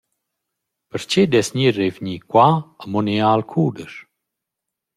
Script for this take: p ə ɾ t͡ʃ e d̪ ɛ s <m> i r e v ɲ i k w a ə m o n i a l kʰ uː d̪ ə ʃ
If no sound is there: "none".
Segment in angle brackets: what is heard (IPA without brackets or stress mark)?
ɲ